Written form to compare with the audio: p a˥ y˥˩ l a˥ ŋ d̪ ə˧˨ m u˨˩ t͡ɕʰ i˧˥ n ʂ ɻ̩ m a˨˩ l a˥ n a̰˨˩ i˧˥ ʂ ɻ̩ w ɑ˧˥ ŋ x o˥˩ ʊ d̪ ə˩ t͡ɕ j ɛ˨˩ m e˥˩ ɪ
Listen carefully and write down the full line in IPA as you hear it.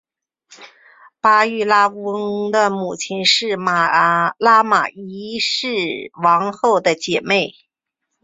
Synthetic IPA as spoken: p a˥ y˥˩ l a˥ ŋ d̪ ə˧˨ m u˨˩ t͡ɕʰ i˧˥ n ʂ ɻ̩ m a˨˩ l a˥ m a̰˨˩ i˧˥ ʂ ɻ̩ w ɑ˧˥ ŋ x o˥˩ ʊ d̪ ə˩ t͡ɕ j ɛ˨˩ m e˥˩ ɪ